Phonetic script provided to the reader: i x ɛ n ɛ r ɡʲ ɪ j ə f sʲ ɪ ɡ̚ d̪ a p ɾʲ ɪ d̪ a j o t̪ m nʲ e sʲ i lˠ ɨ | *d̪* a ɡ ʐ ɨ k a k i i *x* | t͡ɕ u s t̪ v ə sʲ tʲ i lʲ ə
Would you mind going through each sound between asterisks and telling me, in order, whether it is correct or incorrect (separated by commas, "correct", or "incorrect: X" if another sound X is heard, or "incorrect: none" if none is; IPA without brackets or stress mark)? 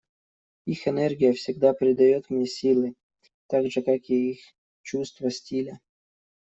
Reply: incorrect: t̪, correct